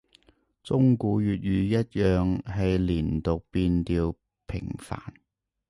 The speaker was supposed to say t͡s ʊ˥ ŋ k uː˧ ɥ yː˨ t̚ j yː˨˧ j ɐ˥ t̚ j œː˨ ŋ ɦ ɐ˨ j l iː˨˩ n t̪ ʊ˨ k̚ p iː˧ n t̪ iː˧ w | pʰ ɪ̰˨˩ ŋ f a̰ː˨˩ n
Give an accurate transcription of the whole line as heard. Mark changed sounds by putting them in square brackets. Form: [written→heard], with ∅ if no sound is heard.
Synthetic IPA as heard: t͡s ʊ˥ ŋ k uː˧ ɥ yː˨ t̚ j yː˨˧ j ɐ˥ t̚ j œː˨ ŋ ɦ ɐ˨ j l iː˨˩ n t̪ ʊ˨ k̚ p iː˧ n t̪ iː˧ w | pʰ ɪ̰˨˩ ŋ f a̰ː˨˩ n

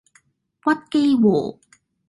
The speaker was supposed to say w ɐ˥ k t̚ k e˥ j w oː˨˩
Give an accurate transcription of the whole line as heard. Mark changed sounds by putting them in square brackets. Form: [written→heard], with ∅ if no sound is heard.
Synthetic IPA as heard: w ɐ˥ [k→∅] t̚ k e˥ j w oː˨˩

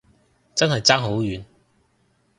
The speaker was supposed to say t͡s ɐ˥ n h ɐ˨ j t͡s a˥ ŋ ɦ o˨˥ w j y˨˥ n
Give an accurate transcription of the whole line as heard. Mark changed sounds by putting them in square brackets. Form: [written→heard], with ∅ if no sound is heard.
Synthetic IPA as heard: t͡s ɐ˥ n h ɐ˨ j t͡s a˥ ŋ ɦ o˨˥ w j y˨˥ n

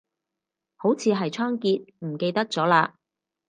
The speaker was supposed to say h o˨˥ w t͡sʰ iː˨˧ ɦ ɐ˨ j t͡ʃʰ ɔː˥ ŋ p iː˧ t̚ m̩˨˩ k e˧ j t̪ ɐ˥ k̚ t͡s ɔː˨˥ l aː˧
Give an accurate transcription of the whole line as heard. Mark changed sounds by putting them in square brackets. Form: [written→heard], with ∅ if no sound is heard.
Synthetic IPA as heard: h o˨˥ w t͡sʰ iː˨˧ ɦ ɐ˨ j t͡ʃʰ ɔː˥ ŋ [p→k] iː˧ t̚ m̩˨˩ k e˧ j t̪ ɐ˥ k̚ t͡s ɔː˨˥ l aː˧

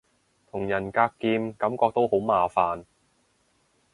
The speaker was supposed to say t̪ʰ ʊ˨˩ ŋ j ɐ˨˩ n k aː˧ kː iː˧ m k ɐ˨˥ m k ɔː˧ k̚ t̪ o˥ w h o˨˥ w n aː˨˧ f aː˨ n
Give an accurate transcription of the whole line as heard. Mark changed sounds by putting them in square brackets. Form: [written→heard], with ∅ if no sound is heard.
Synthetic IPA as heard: t̪ʰ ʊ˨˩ ŋ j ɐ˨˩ n k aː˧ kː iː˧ m k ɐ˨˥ m k ɔː˧ k̚ t̪ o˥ w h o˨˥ w [n→m] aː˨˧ f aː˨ n

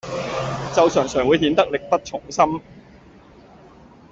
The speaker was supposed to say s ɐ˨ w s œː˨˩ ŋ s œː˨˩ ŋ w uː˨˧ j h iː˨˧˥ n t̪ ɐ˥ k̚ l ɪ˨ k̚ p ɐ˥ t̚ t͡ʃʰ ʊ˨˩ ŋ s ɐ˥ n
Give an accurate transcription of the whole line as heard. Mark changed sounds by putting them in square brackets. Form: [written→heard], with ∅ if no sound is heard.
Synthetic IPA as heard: [s→t͡s] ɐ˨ w s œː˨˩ ŋ s œː˨˩ ŋ w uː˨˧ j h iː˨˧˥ n t̪ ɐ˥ k̚ l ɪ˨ k̚ p ɐ˥ t̚ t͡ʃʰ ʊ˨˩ ŋ s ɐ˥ [n→m]

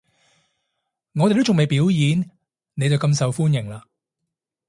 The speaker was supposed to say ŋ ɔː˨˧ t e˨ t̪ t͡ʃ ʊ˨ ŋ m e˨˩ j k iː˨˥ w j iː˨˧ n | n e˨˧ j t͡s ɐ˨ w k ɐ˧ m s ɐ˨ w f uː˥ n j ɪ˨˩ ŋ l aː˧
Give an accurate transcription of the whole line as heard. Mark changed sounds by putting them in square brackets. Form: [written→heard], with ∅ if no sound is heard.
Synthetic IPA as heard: ŋ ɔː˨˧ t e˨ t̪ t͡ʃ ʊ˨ ŋ m e˨˩ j [k→p] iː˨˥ w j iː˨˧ n | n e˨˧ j t͡s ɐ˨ w k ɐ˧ m s ɐ˨ w f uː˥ n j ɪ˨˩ ŋ l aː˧

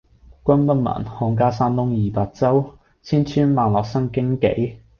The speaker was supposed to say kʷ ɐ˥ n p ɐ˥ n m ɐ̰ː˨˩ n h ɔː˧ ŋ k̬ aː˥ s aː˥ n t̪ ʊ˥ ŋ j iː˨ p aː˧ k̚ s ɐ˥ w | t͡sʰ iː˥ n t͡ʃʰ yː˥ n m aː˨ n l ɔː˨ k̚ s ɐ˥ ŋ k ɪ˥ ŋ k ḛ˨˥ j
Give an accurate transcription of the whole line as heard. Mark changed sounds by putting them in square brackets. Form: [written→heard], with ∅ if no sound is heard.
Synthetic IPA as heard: kʷ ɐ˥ n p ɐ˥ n m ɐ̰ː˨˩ n h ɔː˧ ŋ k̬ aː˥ s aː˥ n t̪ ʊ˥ ŋ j iː˨ p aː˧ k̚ [s→t͡s] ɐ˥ w | t͡sʰ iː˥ n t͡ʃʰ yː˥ n m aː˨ n l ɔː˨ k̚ s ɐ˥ ŋ k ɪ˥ ŋ k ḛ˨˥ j

